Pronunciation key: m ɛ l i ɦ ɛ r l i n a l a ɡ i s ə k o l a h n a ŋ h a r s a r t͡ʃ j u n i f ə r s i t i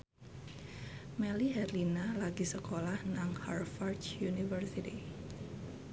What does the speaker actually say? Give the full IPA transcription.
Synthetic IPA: m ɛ l i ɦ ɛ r l i n a l a ɡ i s ə k o l a h n a ŋ h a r f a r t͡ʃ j u n i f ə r s i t i